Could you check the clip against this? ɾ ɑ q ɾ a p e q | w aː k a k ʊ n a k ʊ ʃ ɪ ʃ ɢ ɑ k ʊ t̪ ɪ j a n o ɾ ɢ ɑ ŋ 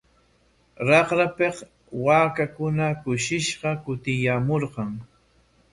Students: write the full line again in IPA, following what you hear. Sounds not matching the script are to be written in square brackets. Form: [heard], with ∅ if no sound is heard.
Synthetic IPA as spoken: ɾ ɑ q ɾ a p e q | w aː k a k ʊ n a k ʊ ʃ ɪ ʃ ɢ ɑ k ʊ t̪ ɪ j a [m] o ɾ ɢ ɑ ŋ